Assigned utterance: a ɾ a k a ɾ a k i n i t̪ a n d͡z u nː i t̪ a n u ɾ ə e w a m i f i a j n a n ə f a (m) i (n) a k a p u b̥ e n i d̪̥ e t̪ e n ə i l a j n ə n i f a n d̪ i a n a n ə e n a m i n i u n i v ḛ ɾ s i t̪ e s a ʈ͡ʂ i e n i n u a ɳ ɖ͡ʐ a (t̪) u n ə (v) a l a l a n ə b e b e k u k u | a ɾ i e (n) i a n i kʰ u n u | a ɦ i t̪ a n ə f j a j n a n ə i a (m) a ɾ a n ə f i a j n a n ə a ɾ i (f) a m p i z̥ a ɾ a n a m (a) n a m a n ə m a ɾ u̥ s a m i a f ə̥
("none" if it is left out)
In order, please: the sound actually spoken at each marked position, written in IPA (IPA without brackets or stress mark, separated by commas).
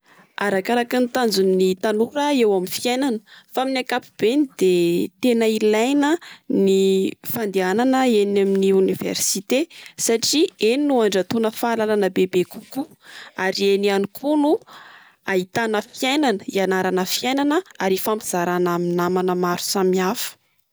m, n, t̪, f, n, n, f, i